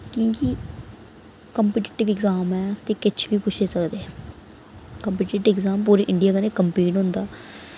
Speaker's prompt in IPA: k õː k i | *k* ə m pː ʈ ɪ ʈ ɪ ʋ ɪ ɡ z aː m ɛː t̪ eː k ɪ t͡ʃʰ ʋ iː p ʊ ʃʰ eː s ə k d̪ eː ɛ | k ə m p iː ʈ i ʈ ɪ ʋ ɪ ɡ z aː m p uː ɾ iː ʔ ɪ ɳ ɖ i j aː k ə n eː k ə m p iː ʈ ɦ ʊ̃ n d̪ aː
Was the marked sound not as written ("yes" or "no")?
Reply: no